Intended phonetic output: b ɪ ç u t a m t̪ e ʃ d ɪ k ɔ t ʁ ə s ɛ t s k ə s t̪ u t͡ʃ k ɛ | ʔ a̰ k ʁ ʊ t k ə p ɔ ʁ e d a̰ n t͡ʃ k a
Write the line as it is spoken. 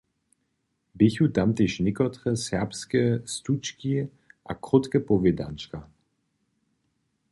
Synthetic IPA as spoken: b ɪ ç u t a m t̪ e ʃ n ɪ k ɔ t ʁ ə s ɛ p s k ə s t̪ u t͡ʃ k i | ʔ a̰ k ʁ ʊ t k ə p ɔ v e d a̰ n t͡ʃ k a